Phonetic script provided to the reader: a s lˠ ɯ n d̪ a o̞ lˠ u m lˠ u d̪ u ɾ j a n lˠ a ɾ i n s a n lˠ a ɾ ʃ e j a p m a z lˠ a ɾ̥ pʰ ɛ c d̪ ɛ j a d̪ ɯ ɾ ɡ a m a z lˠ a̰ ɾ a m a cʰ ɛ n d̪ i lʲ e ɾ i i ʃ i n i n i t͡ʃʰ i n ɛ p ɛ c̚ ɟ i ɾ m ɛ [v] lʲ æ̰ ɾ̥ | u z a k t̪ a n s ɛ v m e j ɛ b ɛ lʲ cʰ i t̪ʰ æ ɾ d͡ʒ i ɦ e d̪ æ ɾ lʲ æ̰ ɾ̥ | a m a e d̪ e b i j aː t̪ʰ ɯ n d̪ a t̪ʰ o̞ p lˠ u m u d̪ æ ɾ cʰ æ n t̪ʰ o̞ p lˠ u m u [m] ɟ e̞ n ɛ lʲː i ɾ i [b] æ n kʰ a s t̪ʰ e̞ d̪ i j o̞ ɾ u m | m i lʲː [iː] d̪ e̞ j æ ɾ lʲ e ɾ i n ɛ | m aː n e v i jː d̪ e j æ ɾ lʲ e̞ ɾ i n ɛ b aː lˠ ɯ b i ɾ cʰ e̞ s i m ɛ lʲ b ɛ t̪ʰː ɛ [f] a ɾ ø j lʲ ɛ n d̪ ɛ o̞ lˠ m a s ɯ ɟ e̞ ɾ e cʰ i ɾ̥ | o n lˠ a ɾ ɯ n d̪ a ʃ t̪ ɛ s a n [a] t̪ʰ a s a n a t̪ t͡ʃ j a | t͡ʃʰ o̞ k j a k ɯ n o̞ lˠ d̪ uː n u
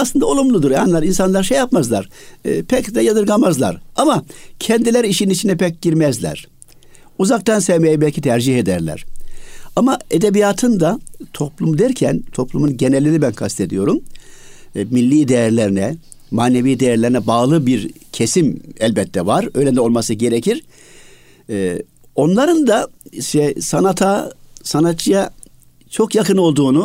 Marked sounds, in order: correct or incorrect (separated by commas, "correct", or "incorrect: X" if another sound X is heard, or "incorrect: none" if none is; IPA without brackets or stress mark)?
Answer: incorrect: z, incorrect: n, correct, correct, incorrect: v, correct